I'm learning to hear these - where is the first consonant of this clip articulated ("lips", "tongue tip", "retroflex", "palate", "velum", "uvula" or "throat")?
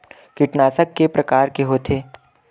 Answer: velum